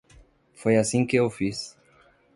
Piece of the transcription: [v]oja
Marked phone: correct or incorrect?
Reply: incorrect